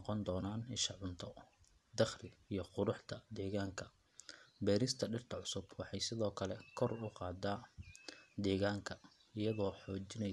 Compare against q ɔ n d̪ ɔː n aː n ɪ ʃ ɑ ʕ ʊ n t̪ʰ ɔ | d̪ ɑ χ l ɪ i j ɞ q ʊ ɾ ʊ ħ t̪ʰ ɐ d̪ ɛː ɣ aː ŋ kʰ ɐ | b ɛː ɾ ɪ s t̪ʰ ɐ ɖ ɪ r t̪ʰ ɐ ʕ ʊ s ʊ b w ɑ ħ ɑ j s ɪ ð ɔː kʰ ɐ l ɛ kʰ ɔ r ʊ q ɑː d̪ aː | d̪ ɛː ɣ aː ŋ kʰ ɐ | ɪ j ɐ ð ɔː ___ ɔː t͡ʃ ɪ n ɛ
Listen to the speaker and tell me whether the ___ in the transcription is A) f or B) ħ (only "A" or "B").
B